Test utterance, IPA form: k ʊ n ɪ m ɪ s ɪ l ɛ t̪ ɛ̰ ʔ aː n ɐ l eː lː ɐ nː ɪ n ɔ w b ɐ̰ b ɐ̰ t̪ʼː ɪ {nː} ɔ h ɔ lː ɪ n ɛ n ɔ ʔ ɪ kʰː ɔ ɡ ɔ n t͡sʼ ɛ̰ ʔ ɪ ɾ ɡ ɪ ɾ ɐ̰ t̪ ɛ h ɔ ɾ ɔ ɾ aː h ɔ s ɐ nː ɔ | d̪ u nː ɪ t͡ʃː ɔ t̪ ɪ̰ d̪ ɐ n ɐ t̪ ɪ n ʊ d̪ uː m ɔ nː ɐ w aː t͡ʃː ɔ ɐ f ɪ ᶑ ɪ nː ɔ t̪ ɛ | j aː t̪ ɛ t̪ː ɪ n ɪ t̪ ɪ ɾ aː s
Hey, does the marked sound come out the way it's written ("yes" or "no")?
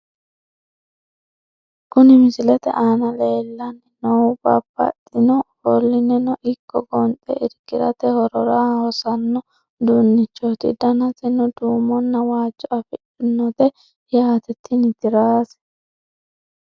no